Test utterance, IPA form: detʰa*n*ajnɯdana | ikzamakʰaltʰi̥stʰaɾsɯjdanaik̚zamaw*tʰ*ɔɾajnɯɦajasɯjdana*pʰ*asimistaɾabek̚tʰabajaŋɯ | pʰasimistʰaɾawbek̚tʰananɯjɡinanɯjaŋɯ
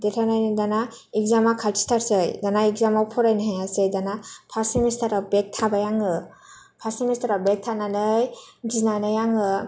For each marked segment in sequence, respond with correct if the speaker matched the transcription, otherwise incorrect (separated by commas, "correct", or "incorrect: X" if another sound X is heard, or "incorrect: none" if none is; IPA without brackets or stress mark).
correct, incorrect: pʰ, correct